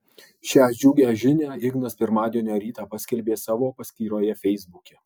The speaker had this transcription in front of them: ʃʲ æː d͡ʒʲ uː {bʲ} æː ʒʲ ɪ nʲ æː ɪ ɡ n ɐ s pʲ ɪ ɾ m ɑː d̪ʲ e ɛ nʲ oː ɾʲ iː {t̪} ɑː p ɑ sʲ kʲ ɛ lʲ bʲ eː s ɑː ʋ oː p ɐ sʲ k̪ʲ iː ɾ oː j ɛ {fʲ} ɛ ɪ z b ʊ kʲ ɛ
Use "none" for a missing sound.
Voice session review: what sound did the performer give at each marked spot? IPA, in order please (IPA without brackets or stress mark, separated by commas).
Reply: ɡʲ, t̪, fʲ